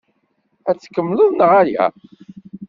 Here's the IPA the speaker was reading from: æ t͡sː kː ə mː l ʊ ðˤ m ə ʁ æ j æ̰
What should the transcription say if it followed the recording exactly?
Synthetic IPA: æ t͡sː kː ə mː l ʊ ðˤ n ə ʁ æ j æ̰

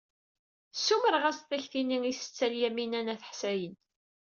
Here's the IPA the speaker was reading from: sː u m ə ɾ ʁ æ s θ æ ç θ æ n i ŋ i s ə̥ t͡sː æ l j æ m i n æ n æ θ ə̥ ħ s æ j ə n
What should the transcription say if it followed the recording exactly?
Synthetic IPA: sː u m ə ɾ ʁ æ s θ æ ç θ i n i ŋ i s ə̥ t͡sː æ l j æ m i n æ n æ θ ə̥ ħ s æ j ə n

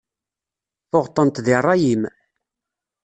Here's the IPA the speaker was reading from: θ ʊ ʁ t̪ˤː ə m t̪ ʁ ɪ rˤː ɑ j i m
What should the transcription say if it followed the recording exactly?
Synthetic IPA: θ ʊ ʁ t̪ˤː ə n t̪ ð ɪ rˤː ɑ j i m

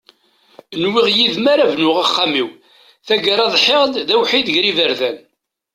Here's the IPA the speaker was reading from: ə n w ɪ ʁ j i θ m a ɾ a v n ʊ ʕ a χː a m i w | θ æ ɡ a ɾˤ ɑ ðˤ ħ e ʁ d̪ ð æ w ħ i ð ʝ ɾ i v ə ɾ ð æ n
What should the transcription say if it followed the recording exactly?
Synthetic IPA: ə n w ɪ ʁ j i ð m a ɾ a v n ʊ ʁ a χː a m i w | θ æ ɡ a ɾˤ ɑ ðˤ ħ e ʁ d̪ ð æ w ħ i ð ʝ ɾ i v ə ɾ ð æ n

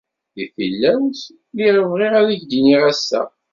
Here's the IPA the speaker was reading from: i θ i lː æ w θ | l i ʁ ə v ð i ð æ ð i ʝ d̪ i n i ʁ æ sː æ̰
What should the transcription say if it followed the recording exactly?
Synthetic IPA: i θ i lː æ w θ | l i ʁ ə v ʁ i ʁ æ ð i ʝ d̪ i n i ʁ æ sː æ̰

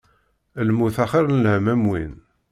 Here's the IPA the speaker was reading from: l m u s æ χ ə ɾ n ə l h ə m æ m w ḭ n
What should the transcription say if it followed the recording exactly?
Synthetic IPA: l m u θ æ χ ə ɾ n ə l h ə m æ m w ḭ n

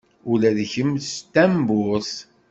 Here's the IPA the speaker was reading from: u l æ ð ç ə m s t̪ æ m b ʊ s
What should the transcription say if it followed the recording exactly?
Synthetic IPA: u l æ ð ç ə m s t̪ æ m b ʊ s

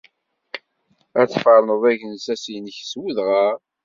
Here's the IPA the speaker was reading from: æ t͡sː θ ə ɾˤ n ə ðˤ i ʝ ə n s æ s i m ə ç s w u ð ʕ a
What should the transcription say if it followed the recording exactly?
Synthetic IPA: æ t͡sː f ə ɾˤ n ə ðˤ æ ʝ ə n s æ s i n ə ç s w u ð ʁ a

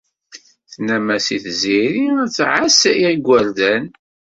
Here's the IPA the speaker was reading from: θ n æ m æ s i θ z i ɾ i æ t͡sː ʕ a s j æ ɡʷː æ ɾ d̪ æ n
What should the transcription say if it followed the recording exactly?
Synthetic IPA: θ n æ m æ s i θ z i ɾ i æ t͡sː ʕ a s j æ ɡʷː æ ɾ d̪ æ n

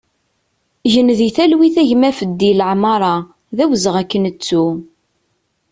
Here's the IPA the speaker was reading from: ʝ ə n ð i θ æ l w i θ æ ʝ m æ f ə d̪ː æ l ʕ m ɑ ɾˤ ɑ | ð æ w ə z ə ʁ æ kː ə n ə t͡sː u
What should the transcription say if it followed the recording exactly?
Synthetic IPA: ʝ ə n ð i θ æ l w i θ æ ʝ m æ f ə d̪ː i l ʕ m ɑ ɾˤ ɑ | ð æ w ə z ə ʁ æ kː ə n ə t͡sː u

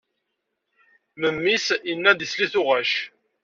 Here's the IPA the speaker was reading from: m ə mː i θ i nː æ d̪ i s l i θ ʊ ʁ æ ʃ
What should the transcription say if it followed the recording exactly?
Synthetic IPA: m ə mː i s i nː æ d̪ i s l i θ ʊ ʁ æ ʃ

